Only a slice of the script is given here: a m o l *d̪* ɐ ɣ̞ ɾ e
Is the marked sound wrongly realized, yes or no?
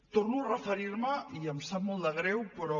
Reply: no